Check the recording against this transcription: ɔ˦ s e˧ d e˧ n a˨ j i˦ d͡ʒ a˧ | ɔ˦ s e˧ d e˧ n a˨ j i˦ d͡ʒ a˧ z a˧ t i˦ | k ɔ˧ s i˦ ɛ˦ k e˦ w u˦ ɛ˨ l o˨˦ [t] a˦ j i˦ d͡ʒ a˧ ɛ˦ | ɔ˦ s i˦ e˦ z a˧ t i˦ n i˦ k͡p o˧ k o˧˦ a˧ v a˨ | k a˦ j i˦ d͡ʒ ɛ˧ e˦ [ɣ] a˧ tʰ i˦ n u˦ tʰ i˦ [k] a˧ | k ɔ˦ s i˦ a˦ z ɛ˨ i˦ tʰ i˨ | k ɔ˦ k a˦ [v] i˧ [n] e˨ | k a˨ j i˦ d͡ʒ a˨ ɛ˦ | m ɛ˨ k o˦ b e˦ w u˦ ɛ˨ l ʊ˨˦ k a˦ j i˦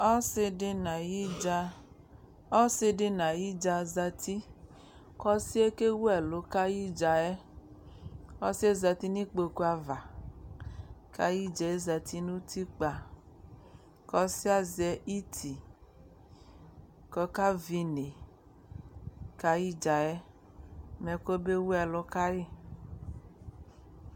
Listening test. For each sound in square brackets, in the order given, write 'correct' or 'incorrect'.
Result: incorrect: k, incorrect: z, incorrect: k͡p, correct, correct

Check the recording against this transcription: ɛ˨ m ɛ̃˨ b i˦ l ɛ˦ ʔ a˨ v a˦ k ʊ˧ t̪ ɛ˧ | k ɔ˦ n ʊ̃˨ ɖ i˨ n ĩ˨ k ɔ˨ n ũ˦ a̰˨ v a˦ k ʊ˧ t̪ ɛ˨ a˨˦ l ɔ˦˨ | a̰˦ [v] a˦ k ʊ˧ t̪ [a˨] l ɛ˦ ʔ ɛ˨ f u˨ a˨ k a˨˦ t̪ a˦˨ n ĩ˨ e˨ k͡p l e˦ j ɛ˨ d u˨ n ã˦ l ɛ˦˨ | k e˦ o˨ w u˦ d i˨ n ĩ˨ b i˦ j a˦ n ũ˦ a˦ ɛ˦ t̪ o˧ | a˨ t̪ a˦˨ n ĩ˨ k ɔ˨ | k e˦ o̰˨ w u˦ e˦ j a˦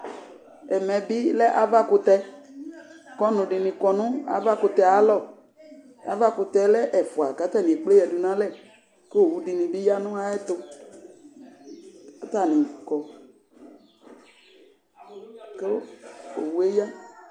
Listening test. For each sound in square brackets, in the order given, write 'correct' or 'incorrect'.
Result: correct, incorrect: ɛ˨

